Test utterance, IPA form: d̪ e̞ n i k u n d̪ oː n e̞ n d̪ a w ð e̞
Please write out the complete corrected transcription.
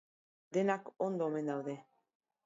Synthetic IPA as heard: d̪ e̞ n a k o n d̪ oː m e̞ n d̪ a w ð e̞